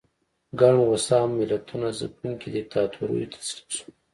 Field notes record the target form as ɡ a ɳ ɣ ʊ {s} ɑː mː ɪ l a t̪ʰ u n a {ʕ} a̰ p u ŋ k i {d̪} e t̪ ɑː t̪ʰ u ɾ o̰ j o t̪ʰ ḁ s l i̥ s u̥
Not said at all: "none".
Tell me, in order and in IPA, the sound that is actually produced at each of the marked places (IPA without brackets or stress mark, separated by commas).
s, z, d̪